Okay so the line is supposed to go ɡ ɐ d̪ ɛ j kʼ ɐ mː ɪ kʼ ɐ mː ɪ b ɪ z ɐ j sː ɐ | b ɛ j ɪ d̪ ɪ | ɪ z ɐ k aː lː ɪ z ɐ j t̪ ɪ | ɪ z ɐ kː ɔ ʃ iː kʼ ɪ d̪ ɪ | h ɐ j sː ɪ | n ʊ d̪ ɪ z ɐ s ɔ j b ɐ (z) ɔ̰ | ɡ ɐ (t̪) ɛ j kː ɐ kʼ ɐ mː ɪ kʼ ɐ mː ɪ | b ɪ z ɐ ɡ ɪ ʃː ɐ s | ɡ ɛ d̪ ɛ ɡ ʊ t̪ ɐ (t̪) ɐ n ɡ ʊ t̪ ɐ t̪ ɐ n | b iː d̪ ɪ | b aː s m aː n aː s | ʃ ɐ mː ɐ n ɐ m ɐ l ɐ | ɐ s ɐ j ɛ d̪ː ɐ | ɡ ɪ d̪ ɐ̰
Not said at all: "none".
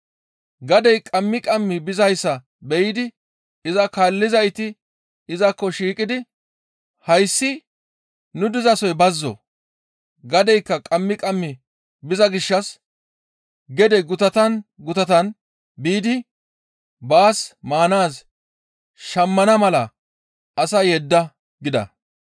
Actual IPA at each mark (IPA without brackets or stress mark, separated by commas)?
zː, d̪, t̪